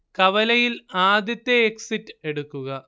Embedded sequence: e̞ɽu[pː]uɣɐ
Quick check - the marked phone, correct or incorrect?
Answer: incorrect